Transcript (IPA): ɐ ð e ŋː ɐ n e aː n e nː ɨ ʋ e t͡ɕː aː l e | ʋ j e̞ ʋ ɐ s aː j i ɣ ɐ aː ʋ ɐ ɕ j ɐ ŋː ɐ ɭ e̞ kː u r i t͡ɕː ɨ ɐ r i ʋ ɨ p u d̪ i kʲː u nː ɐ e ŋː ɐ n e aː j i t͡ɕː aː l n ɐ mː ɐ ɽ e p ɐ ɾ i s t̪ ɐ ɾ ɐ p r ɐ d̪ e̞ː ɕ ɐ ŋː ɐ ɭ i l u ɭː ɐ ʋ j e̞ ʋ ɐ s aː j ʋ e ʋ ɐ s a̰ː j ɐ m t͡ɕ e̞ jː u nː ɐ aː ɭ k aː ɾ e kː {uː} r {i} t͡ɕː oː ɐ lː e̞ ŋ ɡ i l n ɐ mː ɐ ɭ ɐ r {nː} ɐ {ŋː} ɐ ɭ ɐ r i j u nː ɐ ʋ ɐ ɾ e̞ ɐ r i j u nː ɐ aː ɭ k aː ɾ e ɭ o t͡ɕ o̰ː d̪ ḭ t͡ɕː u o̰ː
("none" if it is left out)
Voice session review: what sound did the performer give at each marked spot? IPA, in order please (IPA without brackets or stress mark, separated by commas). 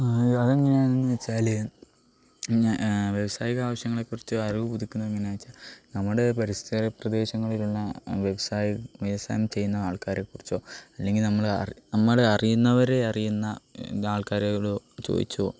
u, i, n, mː